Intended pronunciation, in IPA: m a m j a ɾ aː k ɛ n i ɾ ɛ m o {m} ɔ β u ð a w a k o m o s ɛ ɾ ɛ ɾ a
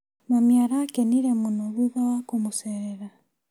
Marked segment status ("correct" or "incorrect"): incorrect